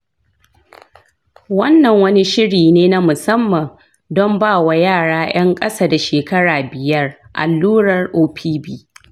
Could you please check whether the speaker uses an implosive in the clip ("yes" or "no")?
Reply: no